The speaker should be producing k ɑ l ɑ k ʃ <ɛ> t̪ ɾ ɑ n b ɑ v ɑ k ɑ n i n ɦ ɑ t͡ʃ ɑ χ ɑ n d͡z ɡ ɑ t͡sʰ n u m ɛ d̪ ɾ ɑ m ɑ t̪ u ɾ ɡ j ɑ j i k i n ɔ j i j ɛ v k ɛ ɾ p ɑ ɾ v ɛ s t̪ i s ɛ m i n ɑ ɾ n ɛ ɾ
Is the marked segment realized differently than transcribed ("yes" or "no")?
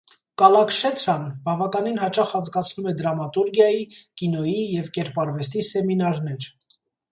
no